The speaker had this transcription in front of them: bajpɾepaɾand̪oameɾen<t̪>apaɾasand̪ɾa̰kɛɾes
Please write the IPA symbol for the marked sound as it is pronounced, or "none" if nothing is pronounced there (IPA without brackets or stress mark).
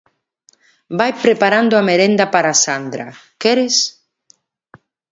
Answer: d̪